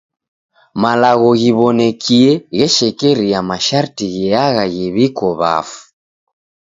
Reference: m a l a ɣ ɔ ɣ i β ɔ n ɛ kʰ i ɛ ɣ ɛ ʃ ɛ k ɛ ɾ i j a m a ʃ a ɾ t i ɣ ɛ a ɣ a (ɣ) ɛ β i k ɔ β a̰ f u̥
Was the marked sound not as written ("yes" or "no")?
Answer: no